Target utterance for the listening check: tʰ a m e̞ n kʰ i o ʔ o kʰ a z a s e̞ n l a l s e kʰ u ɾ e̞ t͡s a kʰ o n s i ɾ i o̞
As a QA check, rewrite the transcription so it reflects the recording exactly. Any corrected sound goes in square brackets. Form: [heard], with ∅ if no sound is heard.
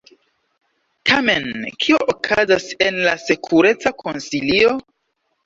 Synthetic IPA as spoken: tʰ a m e̞ n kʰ i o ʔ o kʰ a z a s e̞ n l a [∅] s e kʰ u ɾ e̞ t͡s a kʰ o n s i [l] i o̞

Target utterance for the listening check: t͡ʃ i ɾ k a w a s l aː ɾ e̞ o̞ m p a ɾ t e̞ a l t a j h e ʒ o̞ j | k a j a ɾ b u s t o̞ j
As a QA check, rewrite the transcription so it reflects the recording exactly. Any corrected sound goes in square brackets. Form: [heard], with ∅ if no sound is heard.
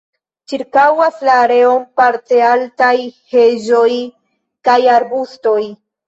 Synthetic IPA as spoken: t͡ʃ i ɾ k a w a s l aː ɾ e̞ o̞ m p a ɾ t e̞ a l t a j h e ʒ o̞ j | k a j a ɾ b u s t o̞ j

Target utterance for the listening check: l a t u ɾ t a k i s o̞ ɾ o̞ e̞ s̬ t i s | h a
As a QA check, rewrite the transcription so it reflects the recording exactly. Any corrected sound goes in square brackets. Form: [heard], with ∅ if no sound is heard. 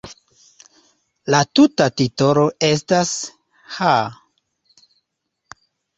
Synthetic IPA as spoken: l a t u [∅] t a [t] i [t] o̞ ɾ o̞ e̞ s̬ t [a] s | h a

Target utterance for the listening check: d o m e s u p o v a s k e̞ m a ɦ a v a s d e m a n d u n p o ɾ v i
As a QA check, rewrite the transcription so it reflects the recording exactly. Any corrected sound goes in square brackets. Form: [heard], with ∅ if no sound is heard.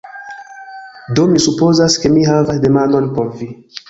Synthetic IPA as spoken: d o m [i] s u p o [z] a s k e̞ m [i] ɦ a v a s d e m a n d [o] n p o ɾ v i

